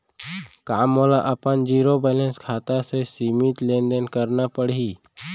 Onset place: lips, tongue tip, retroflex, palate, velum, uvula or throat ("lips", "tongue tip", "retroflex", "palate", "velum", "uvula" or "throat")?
velum